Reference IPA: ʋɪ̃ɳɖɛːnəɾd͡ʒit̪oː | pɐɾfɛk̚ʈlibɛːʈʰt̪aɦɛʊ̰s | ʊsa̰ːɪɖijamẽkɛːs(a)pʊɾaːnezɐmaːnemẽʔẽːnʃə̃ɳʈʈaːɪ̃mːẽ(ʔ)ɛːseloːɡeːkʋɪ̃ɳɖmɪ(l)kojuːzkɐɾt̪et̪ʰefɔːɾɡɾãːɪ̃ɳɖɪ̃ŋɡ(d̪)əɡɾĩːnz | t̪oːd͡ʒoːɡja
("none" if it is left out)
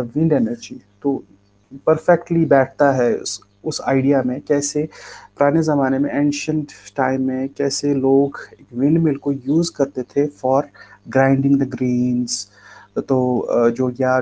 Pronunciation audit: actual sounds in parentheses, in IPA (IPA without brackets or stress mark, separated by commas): e, k, l, d̪